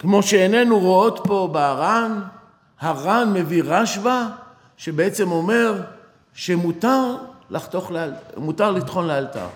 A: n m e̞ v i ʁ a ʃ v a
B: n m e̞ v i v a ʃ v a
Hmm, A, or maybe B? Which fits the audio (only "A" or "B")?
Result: A